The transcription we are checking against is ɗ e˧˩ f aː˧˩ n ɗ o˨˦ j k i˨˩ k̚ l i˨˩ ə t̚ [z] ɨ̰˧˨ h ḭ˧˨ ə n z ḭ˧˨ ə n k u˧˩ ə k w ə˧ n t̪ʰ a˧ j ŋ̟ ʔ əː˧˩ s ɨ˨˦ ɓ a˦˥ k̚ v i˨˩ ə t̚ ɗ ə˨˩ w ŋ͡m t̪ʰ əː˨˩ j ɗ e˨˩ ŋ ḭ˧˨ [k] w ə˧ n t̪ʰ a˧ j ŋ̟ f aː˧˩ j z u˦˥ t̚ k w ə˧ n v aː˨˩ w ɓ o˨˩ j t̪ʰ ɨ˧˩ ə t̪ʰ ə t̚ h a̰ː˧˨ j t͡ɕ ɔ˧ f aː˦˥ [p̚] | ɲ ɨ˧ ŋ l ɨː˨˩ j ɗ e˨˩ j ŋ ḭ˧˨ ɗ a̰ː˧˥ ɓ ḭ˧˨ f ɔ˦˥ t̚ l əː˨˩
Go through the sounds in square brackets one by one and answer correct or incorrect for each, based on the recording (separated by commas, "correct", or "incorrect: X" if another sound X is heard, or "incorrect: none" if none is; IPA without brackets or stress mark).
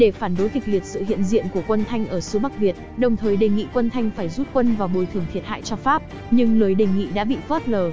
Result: incorrect: s, correct, correct